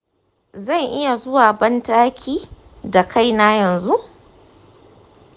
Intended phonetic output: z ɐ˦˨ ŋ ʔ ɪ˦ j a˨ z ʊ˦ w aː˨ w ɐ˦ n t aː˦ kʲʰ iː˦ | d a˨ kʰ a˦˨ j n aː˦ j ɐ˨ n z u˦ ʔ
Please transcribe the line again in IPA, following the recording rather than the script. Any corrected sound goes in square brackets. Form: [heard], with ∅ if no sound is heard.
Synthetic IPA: z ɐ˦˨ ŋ ʔ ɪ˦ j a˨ z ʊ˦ w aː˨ [b] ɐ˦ n t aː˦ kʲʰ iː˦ | d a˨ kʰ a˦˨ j n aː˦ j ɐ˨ n z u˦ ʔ